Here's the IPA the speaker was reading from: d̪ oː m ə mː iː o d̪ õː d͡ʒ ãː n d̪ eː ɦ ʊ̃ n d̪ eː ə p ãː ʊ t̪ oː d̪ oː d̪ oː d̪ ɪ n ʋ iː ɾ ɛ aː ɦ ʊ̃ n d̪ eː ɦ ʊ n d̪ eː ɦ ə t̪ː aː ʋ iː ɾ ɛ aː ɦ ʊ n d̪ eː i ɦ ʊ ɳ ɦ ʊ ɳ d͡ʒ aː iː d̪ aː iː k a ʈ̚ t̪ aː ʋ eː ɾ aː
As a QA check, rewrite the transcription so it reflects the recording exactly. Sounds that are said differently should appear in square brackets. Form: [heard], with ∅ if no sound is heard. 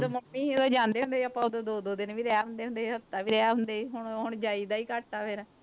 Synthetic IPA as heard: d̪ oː m ə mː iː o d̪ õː d͡ʒ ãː n d̪ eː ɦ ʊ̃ n d̪ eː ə p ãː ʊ [d̪] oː d̪ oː d̪ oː d̪ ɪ n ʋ iː ɾ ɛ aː ɦ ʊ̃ n d̪ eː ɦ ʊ n d̪ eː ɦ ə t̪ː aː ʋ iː ɾ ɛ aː ɦ ʊ n d̪ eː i ɦ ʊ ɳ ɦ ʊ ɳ d͡ʒ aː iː d̪ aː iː k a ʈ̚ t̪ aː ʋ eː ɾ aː